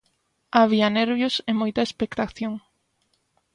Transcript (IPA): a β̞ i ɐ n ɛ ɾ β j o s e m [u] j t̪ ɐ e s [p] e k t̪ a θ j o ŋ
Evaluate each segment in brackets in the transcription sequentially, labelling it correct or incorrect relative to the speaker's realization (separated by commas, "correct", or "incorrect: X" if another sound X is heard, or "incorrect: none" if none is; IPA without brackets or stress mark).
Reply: incorrect: o, correct